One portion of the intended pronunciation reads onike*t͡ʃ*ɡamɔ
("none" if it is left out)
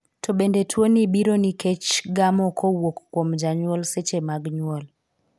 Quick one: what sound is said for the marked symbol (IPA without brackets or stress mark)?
t͡ʃ